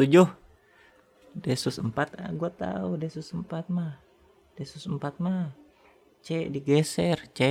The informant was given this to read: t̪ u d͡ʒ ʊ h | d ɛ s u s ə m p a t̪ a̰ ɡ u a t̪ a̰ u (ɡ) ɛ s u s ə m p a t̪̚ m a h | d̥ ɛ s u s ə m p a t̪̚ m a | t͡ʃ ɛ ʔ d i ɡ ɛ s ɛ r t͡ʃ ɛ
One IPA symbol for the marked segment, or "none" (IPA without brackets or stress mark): d